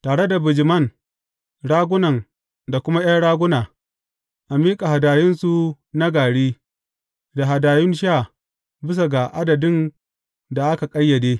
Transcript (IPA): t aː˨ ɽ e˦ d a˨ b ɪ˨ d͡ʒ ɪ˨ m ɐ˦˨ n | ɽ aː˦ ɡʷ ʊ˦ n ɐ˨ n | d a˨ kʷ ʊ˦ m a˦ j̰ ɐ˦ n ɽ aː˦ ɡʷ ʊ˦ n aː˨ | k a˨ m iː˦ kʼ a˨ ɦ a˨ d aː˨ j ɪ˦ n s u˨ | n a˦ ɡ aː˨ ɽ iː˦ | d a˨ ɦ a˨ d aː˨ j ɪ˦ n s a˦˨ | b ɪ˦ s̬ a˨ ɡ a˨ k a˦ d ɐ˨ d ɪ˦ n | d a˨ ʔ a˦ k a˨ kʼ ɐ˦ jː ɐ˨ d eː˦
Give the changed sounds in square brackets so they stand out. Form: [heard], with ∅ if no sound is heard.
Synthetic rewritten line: t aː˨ ɽ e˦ d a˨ b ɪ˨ d͡ʒ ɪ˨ m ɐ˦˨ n | ɽ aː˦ ɡʷ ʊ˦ n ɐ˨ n | d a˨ kʷ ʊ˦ m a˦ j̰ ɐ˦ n ɽ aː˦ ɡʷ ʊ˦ n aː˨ | [ʔ] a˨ m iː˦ kʼ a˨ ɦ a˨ d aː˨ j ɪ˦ n s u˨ | n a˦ ɡ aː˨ ɽ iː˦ | d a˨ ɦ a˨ d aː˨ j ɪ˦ n [ʃ] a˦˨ | b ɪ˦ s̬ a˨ ɡ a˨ [ʔ] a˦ d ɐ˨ d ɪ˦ n | d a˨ ʔ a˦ k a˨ kʼ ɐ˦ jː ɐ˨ d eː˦

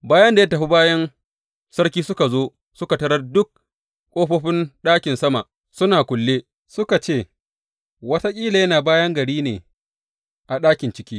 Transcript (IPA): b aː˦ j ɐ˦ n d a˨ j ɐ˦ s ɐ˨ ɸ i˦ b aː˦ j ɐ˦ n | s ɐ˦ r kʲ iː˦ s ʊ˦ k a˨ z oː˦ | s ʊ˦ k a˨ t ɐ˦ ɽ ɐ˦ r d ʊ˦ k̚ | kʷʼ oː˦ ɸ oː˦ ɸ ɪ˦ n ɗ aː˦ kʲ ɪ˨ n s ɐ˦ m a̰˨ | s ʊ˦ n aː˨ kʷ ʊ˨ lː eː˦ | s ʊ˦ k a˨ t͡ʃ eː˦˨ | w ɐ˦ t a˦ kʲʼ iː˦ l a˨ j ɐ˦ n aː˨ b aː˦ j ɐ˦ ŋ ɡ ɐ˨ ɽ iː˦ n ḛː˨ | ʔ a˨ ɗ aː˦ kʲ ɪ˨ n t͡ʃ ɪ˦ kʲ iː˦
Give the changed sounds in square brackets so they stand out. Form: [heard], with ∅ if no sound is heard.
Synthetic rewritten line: b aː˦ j ɐ˦ n d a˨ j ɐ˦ [t] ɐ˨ ɸ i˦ b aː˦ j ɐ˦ n | s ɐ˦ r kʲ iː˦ s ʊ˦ k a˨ z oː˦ | s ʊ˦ k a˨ t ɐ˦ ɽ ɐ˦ r d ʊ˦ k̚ | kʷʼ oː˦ ɸ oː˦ ɸ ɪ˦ n ɗ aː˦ kʲ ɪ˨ n s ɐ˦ m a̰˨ | s ʊ˦ n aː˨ kʷ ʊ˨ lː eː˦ | s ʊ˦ k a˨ t͡ʃ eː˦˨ | w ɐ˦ t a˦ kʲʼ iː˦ l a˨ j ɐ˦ n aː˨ b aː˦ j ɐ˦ ŋ ɡ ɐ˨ ɽ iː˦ n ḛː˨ | ʔ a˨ ɗ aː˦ kʲ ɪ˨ n t͡ʃ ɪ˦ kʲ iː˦

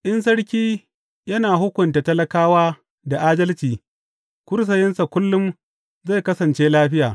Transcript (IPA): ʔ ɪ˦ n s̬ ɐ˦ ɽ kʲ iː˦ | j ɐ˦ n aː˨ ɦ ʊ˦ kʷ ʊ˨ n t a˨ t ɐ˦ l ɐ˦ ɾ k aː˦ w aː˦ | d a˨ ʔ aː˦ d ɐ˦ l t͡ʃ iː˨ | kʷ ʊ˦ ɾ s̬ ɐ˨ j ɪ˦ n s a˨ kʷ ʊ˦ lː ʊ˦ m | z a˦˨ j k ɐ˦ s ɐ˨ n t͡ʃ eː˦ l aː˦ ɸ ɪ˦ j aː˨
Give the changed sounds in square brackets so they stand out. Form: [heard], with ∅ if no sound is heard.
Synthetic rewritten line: ʔ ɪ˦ n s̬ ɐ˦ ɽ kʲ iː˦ | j ɐ˦ n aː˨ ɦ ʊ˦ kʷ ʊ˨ n t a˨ t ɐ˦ l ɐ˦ [∅] k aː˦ w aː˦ | d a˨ ʔ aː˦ d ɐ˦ l t͡ʃ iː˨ | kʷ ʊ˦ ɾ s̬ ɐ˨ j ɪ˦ n s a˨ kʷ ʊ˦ lː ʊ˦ m | z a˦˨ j k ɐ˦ s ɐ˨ n t͡ʃ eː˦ l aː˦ ɸ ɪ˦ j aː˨

